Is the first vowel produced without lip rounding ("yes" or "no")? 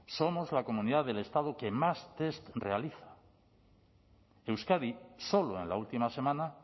no